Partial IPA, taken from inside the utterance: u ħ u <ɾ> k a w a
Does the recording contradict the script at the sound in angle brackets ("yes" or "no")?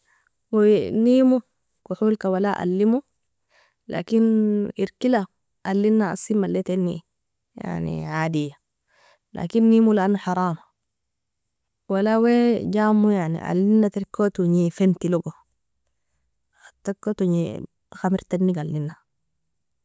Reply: yes